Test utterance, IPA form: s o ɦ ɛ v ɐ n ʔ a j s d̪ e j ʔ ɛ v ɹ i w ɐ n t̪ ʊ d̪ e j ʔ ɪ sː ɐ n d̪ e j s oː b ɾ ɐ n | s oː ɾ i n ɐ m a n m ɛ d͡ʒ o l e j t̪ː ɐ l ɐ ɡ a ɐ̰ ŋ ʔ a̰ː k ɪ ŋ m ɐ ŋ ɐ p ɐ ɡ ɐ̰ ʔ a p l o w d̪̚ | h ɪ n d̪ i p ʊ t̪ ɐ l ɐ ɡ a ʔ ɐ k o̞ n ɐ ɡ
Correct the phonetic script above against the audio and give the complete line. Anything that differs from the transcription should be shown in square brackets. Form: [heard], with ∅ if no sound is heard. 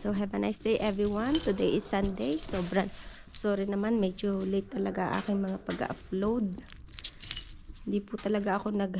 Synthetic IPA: s o ɦ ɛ v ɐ n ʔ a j s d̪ e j ʔ ɛ v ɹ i w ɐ n t̪ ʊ d̪ e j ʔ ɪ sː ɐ n d̪ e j s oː b ɾ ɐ n | s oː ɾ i n ɐ m a n m ɛ d͡ʒ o l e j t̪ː ɐ l ɐ ɡ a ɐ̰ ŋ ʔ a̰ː k ɪ ŋ m ɐ ŋ [a] p ɐ ɡ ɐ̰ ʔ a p l o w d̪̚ | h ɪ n d̪ i p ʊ t̪ ɐ l ɐ ɡ a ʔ ɐ k o̞ n ɐ ɡ